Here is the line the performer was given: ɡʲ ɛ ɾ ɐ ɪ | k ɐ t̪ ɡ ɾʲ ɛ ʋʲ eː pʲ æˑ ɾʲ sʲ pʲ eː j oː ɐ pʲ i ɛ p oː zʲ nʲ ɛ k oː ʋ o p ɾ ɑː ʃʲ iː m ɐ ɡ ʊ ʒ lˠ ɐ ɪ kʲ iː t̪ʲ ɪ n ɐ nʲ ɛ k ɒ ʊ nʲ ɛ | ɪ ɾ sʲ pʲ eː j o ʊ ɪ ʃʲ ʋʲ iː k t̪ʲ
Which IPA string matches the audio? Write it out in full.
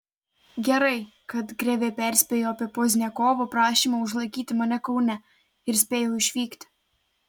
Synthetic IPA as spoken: ɡʲ ɛ ɾ ɐ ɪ | k ɐ t̪ ɡ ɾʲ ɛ ʋʲ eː pʲ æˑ ɾʲ sʲ pʲ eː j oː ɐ pʲ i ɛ p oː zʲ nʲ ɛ k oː ʋ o p ɾ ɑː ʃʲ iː m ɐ ʊ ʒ lˠ ɐ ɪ kʲ iː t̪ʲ ɪ m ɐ nʲ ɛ k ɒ ʊ nʲ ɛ | ɪ ɾ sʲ pʲ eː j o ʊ ɪ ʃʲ ʋʲ iː k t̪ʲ